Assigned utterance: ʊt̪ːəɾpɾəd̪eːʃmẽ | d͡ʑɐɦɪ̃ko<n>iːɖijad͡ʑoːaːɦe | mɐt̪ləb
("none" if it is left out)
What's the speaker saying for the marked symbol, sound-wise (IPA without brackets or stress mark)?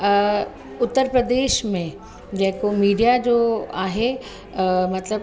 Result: m